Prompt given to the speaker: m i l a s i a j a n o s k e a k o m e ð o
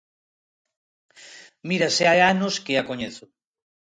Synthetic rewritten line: m i ɾ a s e a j a n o s k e a k o ɲ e θ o